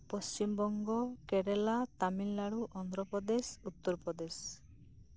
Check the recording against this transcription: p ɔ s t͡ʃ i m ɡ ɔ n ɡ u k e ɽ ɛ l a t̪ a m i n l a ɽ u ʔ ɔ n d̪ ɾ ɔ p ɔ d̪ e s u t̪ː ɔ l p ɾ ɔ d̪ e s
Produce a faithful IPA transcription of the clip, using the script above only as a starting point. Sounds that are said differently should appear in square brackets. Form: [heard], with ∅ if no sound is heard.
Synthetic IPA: p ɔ s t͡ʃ i m [b] ɔ [ŋ] ɡ [ɔ] k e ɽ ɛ l a t̪ a m i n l a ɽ u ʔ ɔ n d̪ ɾ ɔ p ɔ d̪ e s u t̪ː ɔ [ɾ] p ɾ ɔ d̪ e s